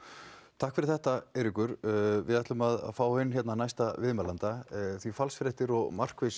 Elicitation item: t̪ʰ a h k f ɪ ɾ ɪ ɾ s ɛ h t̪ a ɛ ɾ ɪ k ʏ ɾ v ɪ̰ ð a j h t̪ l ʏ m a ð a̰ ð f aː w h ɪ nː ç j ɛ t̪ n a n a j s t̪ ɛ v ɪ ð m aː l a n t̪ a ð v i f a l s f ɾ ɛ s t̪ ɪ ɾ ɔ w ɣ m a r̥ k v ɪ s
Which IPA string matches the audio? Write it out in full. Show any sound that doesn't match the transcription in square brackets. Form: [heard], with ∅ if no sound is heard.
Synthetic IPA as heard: t̪ʰ a h k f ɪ ɾ ɪ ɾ [θ] ɛ h t̪ a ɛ ɾ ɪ k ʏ ɾ v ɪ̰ ð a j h t̪ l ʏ m a ð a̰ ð f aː w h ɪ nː ç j ɛ t̪ n a n a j s t̪ [a] v ɪ ð m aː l a n t̪ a [θ] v i f a l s f ɾ ɛ [h] t̪ ɪ ɾ ɔ [∅] ɣ m a r̥ k v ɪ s